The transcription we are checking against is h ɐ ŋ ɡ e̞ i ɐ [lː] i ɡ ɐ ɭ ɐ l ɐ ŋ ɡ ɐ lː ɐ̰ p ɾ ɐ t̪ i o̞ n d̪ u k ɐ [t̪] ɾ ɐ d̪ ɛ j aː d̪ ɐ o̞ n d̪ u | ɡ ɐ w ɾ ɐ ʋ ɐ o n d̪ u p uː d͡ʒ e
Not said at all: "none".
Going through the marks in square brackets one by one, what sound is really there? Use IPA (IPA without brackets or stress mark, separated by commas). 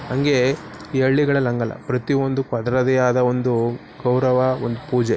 ɭː, d̪